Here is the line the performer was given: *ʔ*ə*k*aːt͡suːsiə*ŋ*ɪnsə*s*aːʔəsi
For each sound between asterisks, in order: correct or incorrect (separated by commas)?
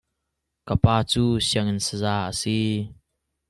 incorrect, incorrect, correct, incorrect